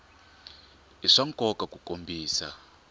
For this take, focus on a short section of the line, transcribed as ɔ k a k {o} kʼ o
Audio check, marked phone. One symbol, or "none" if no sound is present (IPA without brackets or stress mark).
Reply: u